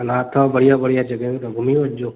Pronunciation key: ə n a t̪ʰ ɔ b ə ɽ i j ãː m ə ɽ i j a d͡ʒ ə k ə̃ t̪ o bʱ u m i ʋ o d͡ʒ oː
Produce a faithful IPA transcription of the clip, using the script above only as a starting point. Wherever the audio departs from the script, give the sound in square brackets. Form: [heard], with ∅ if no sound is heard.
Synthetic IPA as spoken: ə n a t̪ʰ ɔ b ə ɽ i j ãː [b] ə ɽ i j a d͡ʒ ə [ɡ] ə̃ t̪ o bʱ u m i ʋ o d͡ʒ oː